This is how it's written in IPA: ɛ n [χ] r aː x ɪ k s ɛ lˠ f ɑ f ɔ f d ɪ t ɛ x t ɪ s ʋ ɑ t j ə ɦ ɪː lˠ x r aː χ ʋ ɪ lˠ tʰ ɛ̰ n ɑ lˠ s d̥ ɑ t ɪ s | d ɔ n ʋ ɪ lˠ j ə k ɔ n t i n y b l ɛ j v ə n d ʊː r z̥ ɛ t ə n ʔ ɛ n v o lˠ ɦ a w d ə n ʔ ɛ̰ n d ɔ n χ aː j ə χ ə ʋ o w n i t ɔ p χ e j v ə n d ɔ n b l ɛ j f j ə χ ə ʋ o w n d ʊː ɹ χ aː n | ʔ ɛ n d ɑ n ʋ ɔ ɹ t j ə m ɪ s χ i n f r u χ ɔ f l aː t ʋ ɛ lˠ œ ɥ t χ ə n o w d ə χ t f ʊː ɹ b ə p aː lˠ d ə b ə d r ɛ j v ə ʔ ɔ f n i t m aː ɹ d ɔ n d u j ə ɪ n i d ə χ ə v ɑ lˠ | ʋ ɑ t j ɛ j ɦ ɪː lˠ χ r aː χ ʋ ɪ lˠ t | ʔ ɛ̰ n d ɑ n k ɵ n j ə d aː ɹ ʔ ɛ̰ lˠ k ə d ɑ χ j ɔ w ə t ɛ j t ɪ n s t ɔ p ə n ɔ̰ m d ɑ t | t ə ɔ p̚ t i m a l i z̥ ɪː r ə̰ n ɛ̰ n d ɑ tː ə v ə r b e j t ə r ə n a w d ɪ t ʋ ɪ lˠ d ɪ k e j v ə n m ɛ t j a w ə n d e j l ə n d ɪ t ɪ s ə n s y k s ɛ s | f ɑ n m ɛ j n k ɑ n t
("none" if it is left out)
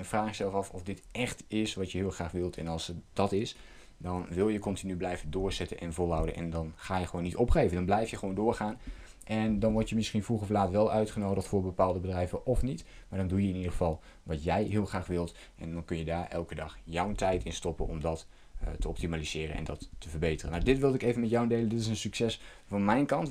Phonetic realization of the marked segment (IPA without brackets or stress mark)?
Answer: f